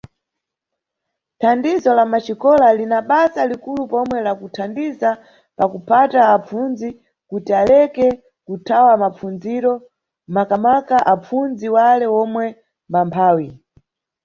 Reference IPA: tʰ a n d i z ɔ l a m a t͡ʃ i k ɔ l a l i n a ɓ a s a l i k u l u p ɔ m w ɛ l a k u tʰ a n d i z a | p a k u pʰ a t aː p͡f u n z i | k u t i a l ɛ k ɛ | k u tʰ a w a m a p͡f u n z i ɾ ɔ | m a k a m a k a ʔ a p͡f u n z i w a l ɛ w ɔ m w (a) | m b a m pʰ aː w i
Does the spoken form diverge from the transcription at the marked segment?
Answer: yes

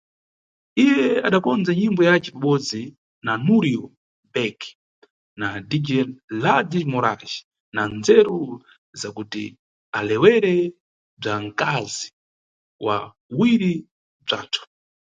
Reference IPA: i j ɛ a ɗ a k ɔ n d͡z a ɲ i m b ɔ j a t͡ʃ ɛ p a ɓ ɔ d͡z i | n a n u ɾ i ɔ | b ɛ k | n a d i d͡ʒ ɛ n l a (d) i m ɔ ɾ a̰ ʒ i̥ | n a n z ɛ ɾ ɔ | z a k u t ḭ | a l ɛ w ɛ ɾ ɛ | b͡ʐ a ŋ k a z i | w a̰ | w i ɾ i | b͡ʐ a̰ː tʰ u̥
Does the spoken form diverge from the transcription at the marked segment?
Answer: no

